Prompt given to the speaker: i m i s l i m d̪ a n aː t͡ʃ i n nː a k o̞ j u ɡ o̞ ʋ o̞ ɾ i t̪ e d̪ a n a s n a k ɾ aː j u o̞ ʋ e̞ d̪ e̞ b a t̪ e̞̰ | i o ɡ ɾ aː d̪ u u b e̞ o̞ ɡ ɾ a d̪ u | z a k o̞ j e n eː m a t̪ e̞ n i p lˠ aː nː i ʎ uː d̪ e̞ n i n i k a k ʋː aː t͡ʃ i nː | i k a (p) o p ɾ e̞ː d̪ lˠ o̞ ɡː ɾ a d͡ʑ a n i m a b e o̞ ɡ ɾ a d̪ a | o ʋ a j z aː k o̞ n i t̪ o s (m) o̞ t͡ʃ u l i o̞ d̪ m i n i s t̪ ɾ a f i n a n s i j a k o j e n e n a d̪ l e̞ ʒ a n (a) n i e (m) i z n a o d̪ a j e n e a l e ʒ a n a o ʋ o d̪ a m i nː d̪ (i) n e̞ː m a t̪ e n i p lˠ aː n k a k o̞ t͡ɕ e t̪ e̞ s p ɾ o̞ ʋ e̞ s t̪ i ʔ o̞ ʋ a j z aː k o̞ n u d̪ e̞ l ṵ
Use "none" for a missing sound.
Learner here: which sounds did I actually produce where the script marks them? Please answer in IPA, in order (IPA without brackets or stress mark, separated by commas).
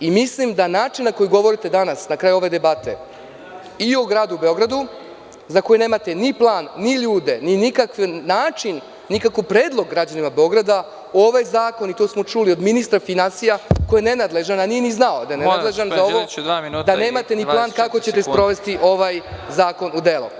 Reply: k, m, a, n, a